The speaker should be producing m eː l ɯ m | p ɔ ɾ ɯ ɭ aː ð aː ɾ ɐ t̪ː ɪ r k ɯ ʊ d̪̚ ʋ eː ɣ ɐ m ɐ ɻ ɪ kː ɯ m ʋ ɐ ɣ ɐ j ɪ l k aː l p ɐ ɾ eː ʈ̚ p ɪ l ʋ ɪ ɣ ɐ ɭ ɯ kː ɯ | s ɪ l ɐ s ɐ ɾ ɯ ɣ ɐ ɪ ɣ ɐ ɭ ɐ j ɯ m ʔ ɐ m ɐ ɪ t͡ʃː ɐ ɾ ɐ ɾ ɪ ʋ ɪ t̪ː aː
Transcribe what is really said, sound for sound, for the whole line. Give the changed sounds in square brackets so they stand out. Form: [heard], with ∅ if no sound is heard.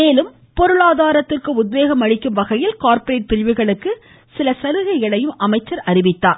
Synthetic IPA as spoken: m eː l ɯ m | p ɔ ɾ ɯ ɭ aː ð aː ɾ ɐ t̪ː ɪ r k ɯ ʊ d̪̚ ʋ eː ɣ ɐ m ɐ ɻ ɪ kː ɯ m ʋ ɐ ɣ ɐ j ɪ l k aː [ɾ] p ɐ ɾ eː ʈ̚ p ɪ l ʋ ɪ ɣ ɐ ɭ ɯ kː ɯ | s ɪ l ɐ s ɐ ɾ ɯ ɣ ɐ ɪ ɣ ɐ ɭ ɐ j ɯ m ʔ ɐ m ɐ ɪ t͡ʃː ɐ ɾ ɐ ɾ ɪ ʋ ɪ t̪ː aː